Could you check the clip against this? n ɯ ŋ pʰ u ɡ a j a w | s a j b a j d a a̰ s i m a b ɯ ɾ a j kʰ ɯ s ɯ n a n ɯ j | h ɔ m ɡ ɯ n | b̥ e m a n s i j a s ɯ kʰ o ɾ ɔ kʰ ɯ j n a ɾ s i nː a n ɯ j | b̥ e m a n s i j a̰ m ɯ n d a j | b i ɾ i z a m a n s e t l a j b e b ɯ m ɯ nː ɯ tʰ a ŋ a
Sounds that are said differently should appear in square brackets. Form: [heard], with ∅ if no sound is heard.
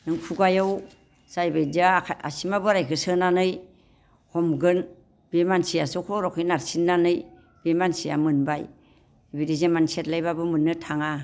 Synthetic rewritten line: n ɯ ŋ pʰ u ɡ a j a w | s a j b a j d a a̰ s i m a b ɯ ɾ a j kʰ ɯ s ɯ n a n ɯ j | h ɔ m ɡ ɯ n | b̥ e m a n s i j a s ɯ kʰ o ɾ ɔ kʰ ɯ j n a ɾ s i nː a n ɯ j | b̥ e m a n s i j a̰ m ɯ n [b] a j | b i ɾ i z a m a n s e t l a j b [a] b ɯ m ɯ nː ɯ tʰ a ŋ a